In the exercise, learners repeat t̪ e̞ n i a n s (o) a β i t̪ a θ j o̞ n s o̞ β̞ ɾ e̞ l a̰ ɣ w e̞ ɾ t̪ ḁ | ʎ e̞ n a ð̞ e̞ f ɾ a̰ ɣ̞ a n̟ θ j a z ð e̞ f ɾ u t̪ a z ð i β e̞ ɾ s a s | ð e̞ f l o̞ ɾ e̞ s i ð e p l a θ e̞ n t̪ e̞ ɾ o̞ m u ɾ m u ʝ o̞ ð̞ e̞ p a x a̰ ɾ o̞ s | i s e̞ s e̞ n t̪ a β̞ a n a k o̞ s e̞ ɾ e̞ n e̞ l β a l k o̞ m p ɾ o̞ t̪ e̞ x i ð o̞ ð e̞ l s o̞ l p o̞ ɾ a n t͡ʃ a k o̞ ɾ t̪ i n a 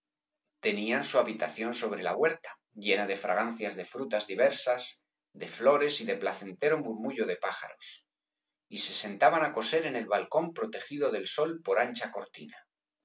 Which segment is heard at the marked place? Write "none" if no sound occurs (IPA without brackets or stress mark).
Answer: u